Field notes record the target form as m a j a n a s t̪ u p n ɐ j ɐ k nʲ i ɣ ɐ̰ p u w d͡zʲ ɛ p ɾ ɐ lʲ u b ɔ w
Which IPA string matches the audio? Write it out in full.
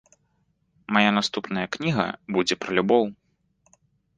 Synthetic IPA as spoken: m a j a n a s t̪ u p n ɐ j ɐ k nʲ i ɣ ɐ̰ b u d͡zʲ ɛ p ɾ ɐ lʲ u b ɔ w